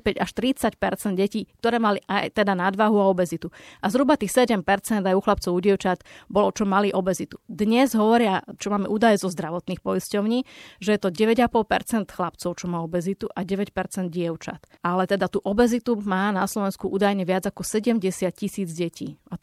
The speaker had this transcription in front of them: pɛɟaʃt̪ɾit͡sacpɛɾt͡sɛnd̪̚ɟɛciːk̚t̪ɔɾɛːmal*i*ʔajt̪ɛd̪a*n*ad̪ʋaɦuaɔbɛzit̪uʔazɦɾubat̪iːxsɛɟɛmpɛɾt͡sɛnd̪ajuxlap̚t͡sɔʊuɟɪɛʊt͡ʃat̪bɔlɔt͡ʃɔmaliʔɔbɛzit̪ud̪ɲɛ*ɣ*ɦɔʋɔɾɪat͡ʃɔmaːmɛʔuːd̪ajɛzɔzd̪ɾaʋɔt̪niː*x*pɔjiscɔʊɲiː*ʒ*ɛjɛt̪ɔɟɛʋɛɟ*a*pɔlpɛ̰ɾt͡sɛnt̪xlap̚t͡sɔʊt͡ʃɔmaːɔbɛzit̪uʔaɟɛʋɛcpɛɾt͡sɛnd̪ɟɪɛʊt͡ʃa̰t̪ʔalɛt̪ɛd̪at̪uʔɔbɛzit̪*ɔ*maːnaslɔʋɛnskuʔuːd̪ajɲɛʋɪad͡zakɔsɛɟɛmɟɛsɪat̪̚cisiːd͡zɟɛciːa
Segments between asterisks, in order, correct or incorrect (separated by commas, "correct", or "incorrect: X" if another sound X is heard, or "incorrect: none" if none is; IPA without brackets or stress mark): correct, correct, incorrect: z, correct, correct, correct, incorrect: u